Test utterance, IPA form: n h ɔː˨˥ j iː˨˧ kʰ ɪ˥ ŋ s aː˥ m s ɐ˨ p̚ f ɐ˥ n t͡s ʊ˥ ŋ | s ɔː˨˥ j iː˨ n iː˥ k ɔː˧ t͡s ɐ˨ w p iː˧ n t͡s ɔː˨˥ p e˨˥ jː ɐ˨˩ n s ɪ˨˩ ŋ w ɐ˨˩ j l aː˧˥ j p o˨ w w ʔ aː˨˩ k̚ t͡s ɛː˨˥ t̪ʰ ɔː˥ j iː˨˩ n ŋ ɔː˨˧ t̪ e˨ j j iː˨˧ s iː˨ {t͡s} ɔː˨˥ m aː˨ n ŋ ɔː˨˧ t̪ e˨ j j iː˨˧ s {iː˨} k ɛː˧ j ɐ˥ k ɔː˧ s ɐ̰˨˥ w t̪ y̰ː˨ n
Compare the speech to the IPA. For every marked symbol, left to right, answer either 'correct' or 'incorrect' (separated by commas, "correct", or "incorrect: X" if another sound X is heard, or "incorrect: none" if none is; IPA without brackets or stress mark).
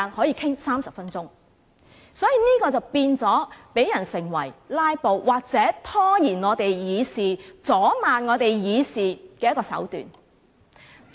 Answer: correct, correct